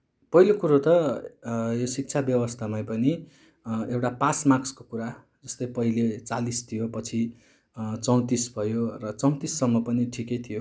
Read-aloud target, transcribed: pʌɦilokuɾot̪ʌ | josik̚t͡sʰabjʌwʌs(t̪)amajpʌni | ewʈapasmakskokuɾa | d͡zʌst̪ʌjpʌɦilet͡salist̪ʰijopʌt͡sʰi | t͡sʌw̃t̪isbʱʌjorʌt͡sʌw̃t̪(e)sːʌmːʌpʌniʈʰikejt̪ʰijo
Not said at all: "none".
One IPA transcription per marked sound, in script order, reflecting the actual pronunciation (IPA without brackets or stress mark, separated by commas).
t̪ʰ, i